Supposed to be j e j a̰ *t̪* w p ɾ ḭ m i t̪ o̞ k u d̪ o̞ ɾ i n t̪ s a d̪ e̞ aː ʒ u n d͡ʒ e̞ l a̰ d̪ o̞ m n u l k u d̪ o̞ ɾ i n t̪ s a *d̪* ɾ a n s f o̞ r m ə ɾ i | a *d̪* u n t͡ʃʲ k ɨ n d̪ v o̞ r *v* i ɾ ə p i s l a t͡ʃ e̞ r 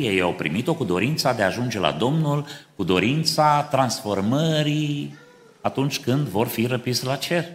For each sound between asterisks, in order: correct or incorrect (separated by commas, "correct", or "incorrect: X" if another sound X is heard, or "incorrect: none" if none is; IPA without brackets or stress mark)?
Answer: incorrect: none, incorrect: t̪, incorrect: t̪, incorrect: f